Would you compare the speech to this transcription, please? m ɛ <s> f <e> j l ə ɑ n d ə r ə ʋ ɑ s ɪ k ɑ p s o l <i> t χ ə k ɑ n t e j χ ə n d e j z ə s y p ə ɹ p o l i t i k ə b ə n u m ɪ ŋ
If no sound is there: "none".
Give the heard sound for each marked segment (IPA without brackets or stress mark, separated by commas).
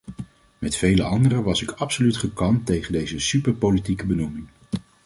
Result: t, e, y